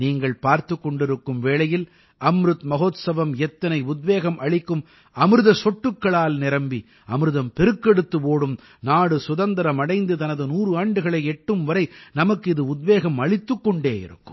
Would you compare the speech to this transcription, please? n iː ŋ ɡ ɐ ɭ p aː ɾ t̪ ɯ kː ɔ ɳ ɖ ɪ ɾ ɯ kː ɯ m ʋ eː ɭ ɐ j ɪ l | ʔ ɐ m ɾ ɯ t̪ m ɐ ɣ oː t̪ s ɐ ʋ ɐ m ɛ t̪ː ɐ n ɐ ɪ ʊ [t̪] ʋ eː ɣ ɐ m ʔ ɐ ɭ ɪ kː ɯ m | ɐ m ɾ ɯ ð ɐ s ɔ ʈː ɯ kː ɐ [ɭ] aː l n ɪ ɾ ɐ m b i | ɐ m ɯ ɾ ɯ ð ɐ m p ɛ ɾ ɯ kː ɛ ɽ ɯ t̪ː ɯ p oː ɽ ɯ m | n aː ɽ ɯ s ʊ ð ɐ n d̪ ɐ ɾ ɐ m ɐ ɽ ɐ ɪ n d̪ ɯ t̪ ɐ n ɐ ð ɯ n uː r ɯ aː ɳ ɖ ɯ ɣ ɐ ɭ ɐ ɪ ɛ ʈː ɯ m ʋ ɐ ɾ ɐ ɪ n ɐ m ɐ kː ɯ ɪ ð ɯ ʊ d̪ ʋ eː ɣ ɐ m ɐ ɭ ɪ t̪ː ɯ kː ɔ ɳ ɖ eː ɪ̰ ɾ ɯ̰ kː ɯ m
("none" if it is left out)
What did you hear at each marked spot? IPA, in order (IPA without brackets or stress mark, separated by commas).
d̪, ɭ